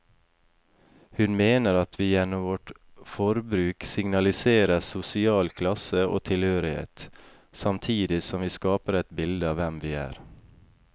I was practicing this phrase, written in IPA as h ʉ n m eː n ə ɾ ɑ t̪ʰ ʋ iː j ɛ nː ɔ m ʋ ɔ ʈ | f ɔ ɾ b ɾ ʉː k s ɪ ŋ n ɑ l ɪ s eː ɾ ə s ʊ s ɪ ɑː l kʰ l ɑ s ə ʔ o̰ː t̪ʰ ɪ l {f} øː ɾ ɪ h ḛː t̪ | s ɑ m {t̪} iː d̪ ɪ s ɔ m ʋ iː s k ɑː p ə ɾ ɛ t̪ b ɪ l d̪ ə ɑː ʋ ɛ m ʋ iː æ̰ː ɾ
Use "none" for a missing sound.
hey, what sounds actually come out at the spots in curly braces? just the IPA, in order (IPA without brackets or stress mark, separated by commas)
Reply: h, t̪ʰ